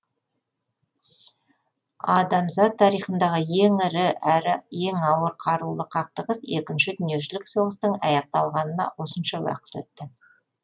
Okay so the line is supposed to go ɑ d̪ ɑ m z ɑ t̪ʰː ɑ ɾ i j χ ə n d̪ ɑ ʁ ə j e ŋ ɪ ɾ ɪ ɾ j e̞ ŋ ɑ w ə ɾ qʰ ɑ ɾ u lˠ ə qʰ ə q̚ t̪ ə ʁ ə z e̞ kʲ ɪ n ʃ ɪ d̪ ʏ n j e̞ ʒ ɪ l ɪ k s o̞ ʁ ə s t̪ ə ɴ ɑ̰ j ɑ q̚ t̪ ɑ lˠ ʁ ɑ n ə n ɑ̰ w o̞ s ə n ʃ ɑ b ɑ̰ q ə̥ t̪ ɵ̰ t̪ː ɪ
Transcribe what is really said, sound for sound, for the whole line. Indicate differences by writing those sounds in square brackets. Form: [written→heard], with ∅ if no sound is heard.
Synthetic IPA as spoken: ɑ d̪ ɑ m z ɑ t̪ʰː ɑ ɾ i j χ ə n d̪ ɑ ʁ ə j e ŋ ɪ ɾ ɪ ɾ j e̞ ŋ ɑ w ə ɾ qʰ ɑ ɾ u lˠ ə qʰ [ə→ɑ] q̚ t̪ ə ʁ ə [z→s] e̞ kʲ ɪ n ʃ ɪ d̪ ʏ n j e̞ ʒ ɪ l ɪ k s o̞ ʁ ə s t̪ ə ɴ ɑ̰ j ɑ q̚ t̪ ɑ lˠ ʁ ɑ n ə n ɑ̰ w o̞ s ə n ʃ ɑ [b→w] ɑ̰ q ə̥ t̪ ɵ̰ t̪ː ɪ